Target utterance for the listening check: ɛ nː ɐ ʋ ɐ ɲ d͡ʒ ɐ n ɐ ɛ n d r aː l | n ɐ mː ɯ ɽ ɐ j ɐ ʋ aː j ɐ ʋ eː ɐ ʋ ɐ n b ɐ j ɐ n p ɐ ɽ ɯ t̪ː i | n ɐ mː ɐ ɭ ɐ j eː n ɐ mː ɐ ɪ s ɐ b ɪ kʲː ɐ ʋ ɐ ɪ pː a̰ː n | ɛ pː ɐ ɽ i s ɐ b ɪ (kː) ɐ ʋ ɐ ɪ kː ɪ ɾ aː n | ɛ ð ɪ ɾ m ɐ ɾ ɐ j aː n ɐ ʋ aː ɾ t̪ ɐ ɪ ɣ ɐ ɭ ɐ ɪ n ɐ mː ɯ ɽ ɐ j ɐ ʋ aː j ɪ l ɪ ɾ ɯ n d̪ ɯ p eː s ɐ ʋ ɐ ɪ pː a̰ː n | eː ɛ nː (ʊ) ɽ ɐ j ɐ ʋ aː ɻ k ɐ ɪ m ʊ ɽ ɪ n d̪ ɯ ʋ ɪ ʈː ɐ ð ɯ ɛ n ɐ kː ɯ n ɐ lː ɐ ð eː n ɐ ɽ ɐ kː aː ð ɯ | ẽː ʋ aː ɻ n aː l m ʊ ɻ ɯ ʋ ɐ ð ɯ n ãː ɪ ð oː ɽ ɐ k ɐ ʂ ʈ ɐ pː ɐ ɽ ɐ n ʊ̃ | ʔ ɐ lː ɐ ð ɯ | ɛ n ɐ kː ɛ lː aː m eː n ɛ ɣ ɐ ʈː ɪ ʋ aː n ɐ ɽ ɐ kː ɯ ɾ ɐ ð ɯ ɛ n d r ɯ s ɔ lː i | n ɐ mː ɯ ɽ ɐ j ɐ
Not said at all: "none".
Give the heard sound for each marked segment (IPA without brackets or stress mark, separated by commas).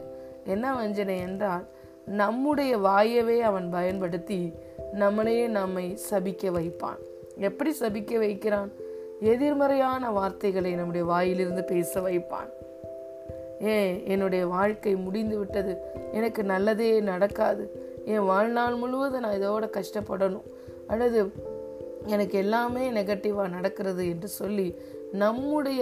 kː, ɯ